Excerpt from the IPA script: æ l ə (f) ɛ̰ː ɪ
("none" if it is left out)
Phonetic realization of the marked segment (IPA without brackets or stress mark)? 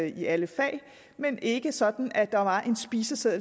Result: f